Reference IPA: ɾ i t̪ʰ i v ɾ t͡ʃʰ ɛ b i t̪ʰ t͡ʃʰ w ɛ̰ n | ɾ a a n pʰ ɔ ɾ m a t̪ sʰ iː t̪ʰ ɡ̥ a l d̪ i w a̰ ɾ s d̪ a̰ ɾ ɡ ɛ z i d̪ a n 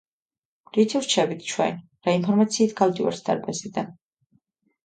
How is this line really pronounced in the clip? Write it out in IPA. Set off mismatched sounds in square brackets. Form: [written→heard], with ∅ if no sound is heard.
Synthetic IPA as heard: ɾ i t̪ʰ i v ɾ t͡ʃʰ ɛ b i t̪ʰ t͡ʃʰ w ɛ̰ n | ɾ a [a→i] n pʰ ɔ ɾ m a t̪ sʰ iː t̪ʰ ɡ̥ a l d̪ i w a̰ ɾ s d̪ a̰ ɾ [ɡ→b] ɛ z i d̪ a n